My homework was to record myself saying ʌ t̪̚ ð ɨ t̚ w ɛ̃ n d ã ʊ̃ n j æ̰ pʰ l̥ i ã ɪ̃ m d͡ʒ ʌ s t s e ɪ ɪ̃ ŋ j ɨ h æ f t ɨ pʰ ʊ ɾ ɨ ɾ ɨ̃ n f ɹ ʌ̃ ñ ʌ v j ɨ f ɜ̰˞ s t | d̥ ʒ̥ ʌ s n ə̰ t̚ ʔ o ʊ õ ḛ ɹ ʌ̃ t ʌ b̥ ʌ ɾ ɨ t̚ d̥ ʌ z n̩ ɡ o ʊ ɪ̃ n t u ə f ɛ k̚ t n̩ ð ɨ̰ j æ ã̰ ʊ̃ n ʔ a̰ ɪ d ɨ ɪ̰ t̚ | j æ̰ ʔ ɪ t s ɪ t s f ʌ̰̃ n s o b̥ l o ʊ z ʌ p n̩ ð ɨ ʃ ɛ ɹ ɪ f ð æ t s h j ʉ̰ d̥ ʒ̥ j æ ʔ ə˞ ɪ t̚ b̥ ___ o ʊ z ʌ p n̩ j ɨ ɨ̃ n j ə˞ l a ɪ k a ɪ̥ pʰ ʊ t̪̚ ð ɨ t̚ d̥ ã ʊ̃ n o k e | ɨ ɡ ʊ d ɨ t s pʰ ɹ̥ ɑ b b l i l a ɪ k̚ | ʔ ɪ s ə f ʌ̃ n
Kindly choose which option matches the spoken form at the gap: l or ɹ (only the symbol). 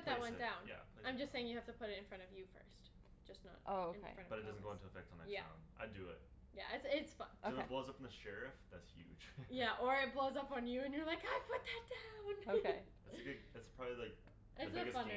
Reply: l